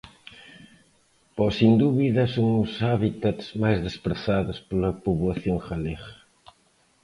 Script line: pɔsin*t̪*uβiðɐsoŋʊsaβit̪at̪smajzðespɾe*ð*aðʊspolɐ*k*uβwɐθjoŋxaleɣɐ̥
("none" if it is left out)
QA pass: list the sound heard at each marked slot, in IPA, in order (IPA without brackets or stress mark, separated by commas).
d̪, θ, p